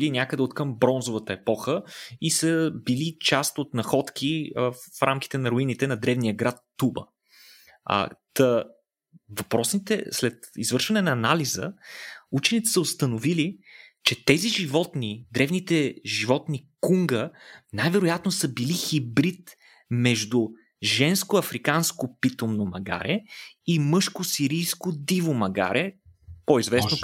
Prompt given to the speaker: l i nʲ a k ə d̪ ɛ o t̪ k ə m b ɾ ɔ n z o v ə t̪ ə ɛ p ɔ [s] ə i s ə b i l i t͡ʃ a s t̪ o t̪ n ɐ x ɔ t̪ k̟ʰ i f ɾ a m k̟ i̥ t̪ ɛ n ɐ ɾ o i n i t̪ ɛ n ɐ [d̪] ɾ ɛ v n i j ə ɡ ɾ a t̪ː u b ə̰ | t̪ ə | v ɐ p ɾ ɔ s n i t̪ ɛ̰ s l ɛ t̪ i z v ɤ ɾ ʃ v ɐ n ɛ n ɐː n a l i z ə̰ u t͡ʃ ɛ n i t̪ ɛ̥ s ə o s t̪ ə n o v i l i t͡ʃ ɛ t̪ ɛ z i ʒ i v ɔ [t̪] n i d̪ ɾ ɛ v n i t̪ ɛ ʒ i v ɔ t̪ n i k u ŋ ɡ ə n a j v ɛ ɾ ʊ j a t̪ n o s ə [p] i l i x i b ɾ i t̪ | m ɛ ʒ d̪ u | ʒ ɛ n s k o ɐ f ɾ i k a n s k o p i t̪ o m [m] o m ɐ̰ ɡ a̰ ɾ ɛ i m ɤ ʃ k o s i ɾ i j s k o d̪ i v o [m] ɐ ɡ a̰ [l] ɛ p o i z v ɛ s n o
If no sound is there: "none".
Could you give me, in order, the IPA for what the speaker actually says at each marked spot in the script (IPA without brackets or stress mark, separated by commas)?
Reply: x, d̪, t̪, b, n, m, ɾ